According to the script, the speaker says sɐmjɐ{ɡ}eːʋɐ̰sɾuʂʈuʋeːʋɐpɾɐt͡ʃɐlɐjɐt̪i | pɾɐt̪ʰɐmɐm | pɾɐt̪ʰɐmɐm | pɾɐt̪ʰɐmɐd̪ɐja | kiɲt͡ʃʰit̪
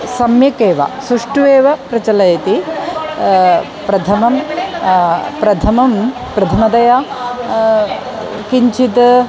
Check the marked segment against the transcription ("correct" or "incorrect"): incorrect